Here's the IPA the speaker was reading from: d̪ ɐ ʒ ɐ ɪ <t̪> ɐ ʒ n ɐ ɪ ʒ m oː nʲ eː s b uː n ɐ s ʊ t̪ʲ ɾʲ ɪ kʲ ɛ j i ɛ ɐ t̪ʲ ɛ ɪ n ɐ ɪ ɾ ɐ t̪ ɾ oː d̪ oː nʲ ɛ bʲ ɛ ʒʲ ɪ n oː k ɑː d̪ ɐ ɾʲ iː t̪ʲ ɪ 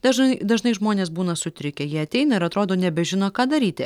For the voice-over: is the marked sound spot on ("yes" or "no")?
no